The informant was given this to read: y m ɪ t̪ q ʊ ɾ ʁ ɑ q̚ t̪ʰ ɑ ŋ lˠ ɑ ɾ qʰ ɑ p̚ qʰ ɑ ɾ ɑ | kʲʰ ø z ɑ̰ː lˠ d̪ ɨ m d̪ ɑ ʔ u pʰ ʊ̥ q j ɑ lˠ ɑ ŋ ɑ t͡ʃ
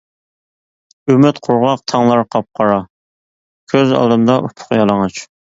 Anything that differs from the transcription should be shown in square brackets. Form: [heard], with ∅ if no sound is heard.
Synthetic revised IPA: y m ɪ t̪ [qʰ] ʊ ɾ ʁ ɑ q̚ t̪ʰ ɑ ŋ lˠ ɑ ɾ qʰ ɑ p̚ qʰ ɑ ɾ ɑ | kʲʰ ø z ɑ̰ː lˠ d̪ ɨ m d̪ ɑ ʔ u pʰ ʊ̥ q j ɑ lˠ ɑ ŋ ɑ t͡ʃ